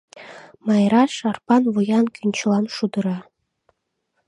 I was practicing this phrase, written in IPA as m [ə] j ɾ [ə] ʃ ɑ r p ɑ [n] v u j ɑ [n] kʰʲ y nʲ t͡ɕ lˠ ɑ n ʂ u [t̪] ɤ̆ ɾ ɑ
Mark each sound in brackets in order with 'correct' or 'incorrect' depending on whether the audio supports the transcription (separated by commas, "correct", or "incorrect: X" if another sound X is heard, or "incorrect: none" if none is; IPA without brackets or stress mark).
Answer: incorrect: ɑ, incorrect: ɑ, correct, correct, incorrect: d̪